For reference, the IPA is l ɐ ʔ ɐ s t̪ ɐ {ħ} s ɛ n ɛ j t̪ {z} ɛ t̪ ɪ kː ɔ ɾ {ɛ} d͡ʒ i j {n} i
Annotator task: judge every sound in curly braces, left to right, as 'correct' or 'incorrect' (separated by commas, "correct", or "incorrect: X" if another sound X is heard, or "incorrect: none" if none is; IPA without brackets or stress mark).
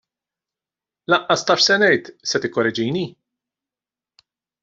incorrect: ʃ, incorrect: s, correct, correct